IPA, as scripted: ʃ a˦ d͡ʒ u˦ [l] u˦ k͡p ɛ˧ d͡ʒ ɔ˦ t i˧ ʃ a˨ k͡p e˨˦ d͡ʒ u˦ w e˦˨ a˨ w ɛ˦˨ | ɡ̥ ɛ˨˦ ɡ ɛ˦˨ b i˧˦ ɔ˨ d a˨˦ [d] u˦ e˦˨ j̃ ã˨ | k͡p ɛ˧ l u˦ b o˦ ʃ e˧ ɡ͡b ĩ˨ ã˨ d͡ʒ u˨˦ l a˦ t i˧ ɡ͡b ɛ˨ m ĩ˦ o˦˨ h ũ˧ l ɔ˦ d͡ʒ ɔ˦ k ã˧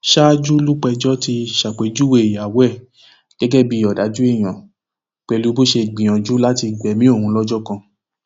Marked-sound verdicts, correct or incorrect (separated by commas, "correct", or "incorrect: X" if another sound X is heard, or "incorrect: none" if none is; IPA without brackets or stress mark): correct, incorrect: d͡ʒ